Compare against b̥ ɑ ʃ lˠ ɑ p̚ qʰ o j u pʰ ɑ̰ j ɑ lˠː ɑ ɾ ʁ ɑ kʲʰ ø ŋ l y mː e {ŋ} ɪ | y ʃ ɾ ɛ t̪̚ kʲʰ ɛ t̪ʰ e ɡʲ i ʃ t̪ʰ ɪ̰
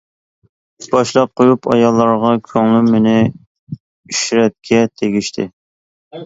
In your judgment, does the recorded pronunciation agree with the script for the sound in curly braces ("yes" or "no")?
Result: no